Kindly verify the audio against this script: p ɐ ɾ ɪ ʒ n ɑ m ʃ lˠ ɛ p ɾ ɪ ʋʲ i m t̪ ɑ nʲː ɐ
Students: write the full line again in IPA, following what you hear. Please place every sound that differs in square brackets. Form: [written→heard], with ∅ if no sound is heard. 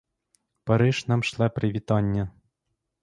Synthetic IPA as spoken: p ɐ ɾ ɪ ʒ n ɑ m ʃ lˠ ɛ p ɾ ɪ ʋʲ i [m→∅] t̪ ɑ nʲː ɐ